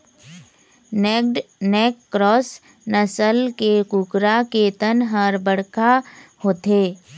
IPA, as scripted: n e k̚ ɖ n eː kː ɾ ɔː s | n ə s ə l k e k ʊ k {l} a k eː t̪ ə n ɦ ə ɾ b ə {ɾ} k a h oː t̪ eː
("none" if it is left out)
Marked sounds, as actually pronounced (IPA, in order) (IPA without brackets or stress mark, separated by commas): ɾ, ɽ